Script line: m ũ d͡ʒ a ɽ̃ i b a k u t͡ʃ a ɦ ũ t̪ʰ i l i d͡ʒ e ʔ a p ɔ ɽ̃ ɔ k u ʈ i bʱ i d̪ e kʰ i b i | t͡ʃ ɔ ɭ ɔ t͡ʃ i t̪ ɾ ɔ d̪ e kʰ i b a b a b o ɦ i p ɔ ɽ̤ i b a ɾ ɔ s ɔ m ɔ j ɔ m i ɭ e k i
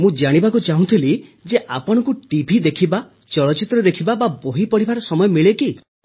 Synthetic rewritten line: m ũ d͡ʒ a ɽ̃ i b a k u t͡ʃ a ɦ ũ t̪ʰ i l i d͡ʒ e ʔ a p ɔ ɽ̃ ɔ k u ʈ i bʱ i d̪ e kʰ i b a | t͡ʃ ɔ ɭ ɔ t͡ʃ i t̪ ɾ ɔ d̪ e kʰ i b a b a b o ɦ i p ɔ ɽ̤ i b a ɾ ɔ s ɔ m ɔ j ɔ m i ɭ e k i